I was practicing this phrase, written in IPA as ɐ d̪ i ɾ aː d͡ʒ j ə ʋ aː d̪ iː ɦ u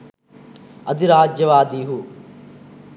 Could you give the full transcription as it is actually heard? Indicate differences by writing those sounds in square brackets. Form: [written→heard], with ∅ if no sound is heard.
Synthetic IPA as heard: ɐ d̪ i ɾ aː d͡ʒ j [ə→ɐ] ʋ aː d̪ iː ɦ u